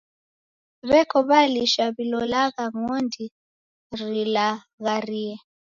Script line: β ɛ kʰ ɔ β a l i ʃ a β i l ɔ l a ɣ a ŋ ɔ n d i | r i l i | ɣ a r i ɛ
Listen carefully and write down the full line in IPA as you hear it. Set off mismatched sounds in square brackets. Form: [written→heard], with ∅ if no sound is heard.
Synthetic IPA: β ɛ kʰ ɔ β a l i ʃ a β i l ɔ l a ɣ a ŋ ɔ n d i | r i l [i→a] | ɣ a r i ɛ